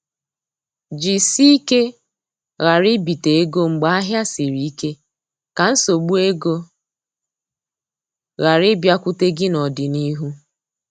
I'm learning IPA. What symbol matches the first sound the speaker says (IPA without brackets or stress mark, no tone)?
d͡ʒ